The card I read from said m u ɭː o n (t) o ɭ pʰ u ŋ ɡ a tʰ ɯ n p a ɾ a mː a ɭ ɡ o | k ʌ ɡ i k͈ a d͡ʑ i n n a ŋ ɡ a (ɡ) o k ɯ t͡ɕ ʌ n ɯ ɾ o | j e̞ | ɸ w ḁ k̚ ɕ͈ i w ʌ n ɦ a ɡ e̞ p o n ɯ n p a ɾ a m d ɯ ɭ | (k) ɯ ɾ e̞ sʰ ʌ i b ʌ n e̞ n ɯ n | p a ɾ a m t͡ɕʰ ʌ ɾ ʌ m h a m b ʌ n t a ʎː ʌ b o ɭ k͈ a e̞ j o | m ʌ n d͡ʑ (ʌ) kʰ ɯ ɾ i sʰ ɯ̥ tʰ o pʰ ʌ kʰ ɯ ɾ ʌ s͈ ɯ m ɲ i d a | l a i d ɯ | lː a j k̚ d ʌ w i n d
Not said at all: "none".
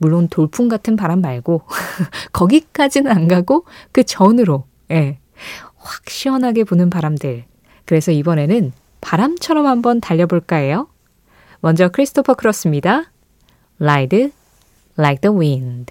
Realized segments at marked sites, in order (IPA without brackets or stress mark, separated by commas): t, ɡ, k, ʌ